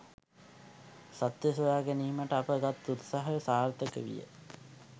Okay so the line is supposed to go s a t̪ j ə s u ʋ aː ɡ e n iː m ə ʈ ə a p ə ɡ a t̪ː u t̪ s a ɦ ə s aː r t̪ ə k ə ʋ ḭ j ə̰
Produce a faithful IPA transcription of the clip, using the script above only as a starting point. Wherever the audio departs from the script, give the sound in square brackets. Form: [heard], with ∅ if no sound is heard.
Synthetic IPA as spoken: s a t̪ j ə s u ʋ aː ɡ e n iː m ə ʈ ə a p ə ɡ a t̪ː u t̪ s a ɦ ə s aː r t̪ ə k ə ʋ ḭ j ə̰

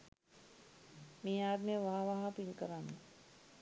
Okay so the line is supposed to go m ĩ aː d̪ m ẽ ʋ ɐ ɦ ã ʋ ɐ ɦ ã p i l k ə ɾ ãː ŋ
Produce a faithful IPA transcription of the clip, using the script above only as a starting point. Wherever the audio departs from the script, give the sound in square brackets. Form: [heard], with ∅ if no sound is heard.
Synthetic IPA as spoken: m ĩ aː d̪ m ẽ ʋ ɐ ɦ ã ʋ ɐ ɦ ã p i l k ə ɾ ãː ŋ

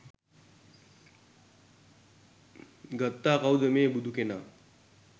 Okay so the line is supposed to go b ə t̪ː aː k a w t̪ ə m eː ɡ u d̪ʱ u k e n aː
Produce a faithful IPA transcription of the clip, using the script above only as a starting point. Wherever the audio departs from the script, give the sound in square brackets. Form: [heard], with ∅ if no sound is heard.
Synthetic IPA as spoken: [ɡ] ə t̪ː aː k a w [d̪] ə m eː [b] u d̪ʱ u k e n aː

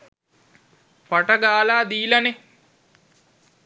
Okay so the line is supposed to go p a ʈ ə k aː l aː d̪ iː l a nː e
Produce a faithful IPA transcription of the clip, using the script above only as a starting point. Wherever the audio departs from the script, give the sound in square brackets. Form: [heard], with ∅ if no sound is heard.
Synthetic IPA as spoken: p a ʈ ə [ɡ] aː l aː d̪ iː l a [n] e

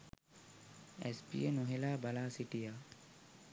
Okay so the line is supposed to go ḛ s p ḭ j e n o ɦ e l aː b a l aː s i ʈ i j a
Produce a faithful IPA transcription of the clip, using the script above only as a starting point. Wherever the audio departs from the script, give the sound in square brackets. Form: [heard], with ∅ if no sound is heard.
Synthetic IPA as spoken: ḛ s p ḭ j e n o ɦ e l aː b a l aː s i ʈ i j a

